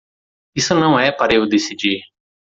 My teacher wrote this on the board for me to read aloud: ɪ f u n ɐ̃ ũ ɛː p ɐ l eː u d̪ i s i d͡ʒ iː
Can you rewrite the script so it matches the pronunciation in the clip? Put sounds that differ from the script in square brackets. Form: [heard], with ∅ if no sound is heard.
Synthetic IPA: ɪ [s] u n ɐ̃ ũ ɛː p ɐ [ɾ] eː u d̪ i s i d͡ʒ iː